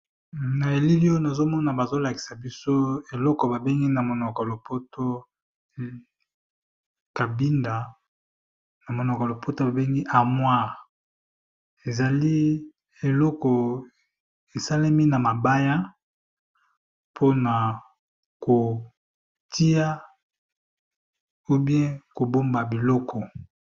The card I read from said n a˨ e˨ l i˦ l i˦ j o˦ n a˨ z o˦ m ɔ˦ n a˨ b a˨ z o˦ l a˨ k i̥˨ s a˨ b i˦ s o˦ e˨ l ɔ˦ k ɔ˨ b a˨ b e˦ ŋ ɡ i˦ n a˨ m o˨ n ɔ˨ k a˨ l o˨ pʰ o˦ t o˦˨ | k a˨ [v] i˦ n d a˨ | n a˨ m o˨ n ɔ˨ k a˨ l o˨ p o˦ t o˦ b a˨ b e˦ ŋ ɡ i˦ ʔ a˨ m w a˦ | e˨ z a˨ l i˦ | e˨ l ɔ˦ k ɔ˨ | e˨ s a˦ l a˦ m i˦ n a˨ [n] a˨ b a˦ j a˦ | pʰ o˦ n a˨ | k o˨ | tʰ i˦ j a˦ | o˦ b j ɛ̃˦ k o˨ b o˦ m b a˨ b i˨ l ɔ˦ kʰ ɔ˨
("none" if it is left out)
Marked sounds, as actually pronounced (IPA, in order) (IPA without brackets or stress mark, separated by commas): b, m